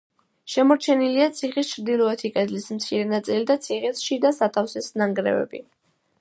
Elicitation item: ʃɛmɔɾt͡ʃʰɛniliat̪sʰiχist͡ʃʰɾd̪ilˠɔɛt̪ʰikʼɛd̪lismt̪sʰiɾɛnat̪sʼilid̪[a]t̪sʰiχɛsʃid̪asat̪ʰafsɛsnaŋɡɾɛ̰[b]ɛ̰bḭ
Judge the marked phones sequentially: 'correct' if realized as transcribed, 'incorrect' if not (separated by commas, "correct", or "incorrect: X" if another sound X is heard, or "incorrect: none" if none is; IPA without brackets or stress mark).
correct, incorrect: v